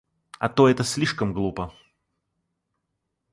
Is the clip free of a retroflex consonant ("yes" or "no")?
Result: no